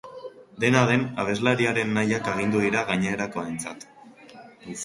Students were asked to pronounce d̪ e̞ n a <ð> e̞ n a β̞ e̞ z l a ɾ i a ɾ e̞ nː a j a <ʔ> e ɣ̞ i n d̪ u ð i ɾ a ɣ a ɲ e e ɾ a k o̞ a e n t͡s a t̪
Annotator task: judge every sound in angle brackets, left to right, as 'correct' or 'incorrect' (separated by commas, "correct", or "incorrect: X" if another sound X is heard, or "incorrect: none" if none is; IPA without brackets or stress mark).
correct, incorrect: k